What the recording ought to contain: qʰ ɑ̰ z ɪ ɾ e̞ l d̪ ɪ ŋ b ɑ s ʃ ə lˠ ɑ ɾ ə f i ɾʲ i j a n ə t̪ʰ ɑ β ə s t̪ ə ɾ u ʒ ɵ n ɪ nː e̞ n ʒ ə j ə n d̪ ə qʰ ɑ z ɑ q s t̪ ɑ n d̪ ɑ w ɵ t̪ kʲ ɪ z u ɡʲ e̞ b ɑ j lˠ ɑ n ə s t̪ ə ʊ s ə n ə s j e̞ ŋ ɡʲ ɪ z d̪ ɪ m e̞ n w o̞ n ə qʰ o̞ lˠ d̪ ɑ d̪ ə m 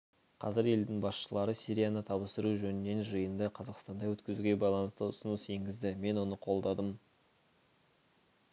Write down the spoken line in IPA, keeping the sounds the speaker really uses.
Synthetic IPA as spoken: qʰ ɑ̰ z ɪ ɾ e̞ l d̪ ɪ ŋ b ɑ s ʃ ə lˠ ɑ ɾ ə s i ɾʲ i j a n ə t̪ʰ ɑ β ə s t̪ ə ɾ u ʒ ɵ n ɪ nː e̞ n ʒ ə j ə n d̪ ə qʰ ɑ z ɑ q s t̪ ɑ n d̪ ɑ w ɵ t̪ kʲ ɪ z u ɡʲ e̞ b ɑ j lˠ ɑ n ə s t̪ ə ʊ s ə n ə s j e̞ ŋ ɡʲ ɪ z d̪ ɪ m e̞ n w o̞ n ə qʰ o̞ lˠ d̪ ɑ d̪ ə m

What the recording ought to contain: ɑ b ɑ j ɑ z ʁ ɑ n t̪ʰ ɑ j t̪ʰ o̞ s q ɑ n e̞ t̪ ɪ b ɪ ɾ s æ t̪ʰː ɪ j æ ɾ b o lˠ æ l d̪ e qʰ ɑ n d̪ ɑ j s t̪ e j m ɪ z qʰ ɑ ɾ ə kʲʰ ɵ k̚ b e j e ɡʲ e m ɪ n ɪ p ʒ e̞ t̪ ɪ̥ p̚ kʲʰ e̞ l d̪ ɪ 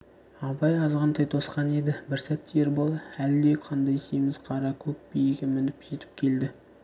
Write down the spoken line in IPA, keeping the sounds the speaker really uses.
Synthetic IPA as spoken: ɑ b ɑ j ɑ z ʁ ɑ n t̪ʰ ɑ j t̪ʰ o̞ s q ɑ n e̞ d̪ ɪ b ɪ ɾ s æ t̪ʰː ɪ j e ɾ b o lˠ æ l d̪ e qʰ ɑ n d̪ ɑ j s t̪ e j m ɪ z qʰ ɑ ɾ ɑ kʲʰ ɵ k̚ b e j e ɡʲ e m ɪ n ɪ p ʒ e̞ t̪ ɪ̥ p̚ kʲʰ e̞ l d̪ ɪ

